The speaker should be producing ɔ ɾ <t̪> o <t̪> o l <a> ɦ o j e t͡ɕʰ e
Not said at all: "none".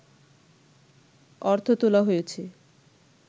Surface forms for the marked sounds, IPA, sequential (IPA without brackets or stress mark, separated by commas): t̪ʰ, t̪, a